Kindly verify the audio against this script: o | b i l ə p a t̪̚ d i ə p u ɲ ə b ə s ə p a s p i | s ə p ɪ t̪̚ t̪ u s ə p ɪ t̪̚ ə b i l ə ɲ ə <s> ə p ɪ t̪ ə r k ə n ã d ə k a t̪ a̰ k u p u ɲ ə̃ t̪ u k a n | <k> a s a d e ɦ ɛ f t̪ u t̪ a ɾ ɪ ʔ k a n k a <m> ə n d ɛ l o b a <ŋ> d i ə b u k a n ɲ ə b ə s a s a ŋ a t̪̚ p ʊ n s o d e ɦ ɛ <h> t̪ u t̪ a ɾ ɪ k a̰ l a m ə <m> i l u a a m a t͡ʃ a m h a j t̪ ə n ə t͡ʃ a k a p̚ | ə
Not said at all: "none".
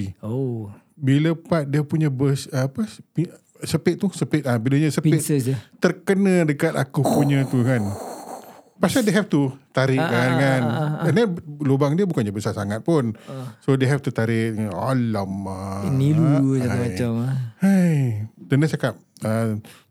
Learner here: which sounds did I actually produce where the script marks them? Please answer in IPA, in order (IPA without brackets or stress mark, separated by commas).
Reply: s, p, n, ŋ, f, n